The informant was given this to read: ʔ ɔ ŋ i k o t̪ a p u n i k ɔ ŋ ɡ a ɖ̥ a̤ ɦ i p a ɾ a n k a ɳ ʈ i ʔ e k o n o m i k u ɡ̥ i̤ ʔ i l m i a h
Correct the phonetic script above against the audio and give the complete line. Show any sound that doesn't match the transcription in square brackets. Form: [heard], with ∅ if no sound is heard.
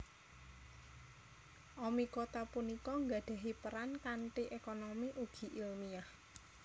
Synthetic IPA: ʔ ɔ [m] i k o t̪ a p u n i k ɔ ŋ ɡ a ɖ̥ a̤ ɦ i p [ə] ɾ a n k a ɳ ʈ i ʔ e k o n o m i [ʔ] u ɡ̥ i̤ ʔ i l m i a h